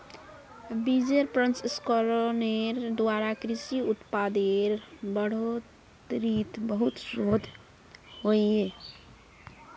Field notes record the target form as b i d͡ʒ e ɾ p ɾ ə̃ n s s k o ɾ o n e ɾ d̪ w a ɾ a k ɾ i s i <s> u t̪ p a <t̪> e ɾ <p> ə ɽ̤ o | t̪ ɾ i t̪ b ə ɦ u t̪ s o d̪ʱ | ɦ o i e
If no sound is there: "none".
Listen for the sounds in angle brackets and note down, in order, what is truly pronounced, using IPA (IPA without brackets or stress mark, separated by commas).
none, d̪, b